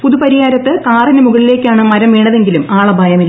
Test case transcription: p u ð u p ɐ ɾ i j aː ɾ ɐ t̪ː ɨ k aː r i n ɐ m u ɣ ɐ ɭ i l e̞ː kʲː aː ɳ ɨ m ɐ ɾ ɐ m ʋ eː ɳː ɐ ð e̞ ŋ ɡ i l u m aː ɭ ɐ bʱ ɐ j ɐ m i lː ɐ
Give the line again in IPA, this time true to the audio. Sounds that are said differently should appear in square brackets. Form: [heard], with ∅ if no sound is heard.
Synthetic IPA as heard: p u ð u p ɐ ɾ i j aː ɾ ɐ t̪ː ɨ k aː r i n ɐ m u ɣ ɐ ɭ i l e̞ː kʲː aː ɳ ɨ m ɐ ɾ ɐ m ʋ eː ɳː ɐ ð e̞ ŋ ɡ i l u m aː ɭ ɐ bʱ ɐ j ɐ m i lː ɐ